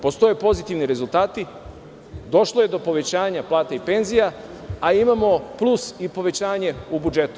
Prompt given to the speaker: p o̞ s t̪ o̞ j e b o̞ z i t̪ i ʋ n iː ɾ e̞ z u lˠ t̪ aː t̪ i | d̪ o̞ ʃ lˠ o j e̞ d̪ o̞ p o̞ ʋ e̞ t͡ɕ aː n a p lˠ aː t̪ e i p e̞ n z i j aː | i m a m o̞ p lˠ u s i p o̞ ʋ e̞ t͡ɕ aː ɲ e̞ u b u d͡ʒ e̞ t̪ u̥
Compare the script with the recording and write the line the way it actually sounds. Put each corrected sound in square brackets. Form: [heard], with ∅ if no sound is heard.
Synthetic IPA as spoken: p o̞ s t̪ o̞ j e [p] o̞ z i t̪ i ʋ n [i] ɾ e̞ z u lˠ t̪ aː t̪ i | d̪ o̞ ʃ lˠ o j e̞ d̪ o̞ p o̞ ʋ e̞ t͡ɕ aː [ɲ] a p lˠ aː t̪ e i p e̞ n z i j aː | i m a m o̞ p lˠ u s i p o̞ ʋ e̞ t͡ɕ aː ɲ e̞ u b u d͡ʒ e̞ t̪ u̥